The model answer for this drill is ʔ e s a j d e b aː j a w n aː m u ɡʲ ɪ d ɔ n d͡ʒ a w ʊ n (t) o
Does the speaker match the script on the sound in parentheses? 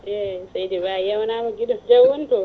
yes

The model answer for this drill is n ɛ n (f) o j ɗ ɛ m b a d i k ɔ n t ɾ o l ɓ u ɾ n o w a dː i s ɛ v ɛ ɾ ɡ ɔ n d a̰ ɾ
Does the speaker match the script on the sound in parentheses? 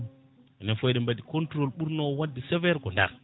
yes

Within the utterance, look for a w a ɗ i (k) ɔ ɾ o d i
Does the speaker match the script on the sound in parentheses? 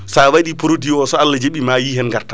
no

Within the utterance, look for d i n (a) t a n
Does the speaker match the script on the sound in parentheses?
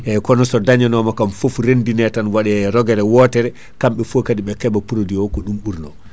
no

